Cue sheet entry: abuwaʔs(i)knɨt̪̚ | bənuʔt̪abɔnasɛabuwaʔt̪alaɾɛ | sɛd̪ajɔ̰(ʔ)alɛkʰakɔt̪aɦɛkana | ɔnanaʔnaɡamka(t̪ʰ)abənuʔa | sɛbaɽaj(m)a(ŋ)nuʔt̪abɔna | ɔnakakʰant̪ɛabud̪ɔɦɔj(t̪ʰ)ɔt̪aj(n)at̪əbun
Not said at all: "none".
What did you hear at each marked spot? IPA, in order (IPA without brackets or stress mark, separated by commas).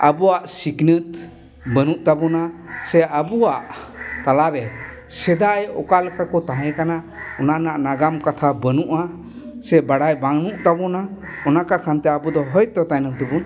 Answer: i, k, t̪ʰ, b, ŋ, t̪, n